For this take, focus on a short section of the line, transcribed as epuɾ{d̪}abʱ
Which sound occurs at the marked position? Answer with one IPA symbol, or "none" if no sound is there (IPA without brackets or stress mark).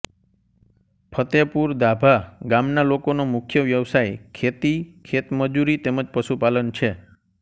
d̪